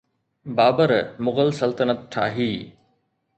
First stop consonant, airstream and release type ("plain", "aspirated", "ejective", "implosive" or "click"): plain